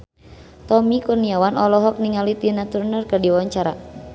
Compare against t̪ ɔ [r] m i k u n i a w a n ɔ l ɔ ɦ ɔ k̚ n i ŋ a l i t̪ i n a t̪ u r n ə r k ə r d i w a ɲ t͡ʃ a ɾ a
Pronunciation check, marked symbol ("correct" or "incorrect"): incorrect